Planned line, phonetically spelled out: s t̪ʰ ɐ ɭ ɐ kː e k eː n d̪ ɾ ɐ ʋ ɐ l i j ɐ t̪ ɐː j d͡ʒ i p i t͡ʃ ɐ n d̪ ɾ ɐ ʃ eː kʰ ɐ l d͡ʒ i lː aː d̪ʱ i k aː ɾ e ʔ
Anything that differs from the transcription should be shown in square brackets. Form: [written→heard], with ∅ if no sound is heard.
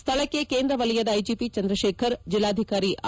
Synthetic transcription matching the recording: s t̪ʰ ɐ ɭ ɐ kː e k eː n d̪ ɾ ɐ ʋ ɐ l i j ɐ [t̪→d̪] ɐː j d͡ʒ i p i t͡ʃ ɐ n d̪ ɾ ɐ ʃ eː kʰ ɐ [l→ɾ] d͡ʒ i lː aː d̪ʱ i k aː ɾ [e→i] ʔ